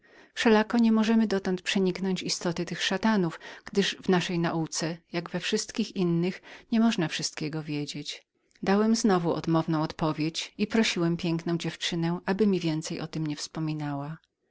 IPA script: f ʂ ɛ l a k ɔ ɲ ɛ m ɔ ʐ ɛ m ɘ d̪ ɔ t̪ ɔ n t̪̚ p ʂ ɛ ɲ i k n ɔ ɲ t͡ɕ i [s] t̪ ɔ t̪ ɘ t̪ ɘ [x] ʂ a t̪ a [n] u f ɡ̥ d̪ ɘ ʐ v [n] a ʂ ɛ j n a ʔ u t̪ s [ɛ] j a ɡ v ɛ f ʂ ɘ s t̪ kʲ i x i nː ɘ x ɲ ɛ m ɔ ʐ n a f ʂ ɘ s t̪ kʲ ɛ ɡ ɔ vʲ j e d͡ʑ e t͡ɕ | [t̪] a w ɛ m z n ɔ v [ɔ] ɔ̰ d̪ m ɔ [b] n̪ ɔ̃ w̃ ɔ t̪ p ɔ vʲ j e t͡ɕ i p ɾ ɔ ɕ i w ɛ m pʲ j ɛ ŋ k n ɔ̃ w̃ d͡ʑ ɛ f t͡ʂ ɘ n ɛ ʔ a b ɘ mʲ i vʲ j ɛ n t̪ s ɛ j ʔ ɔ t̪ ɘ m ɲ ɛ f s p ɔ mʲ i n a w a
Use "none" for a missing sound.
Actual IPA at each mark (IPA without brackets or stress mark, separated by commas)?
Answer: s, x, n, n, ɛ, d̪, u, v